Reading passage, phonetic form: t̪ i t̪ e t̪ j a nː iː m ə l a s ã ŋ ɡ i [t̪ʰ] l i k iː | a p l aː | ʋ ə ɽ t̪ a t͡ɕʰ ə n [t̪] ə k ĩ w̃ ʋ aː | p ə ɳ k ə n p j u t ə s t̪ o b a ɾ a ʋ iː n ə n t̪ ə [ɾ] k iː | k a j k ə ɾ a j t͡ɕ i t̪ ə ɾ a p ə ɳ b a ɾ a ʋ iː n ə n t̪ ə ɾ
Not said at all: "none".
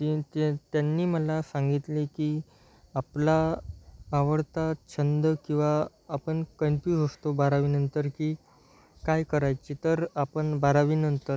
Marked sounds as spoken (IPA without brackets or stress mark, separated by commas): t̪, d̪, ɾ